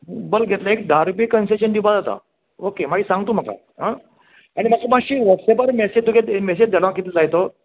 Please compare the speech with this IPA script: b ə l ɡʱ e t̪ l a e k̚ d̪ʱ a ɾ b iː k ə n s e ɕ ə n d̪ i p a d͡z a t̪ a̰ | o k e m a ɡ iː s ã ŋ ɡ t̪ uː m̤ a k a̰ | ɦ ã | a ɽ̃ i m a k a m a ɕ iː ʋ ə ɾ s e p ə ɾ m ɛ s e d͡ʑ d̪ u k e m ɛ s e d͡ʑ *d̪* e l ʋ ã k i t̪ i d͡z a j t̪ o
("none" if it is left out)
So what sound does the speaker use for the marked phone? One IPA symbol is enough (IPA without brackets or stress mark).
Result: d̪